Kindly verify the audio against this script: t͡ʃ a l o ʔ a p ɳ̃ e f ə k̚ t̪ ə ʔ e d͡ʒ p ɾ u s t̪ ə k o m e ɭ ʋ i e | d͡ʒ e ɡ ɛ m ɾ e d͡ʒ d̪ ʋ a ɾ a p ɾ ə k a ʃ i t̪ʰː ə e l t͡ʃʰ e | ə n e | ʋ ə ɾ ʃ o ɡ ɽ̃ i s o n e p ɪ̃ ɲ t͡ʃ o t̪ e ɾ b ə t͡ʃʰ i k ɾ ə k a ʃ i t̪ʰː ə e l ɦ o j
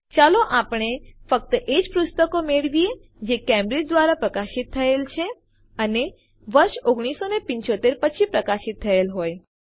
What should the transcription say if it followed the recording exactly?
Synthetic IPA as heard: t͡ʃ a l o ʔ a p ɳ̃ e f ə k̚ t̪ ə ʔ e d͡ʒ p ɾ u s t̪ ə k o m e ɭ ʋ i e | d͡ʒ e k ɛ m ɾ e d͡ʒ d̪ ʋ a ɾ a p ɾ ə k a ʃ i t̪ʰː ə e l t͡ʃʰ e | ə n e | ʋ ə ɾ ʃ o ɡ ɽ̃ i s o n e p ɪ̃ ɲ t͡ʃ o t̪ e ɾ p ə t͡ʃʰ i p ɾ ə k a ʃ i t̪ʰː ə e l ɦ o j